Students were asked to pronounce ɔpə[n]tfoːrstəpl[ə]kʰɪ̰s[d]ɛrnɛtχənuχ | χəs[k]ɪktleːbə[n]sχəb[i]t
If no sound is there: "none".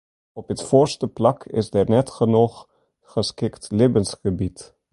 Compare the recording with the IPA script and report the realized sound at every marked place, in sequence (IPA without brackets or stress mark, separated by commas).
none, ɑ, d, k, n, i